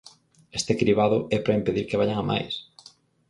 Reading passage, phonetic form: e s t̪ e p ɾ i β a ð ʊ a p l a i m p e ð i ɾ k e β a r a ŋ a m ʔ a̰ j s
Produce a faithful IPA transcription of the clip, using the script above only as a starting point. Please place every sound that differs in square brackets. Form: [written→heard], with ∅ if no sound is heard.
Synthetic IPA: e s t̪ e [p→k] ɾ i β a ð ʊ [a→ɛ] p [l→ɾ] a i m p e ð i ɾ k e β a [r→ʎ] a ŋ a m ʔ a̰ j s